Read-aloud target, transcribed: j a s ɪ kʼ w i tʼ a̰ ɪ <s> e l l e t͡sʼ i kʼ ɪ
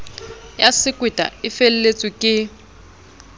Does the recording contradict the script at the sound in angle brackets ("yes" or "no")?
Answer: yes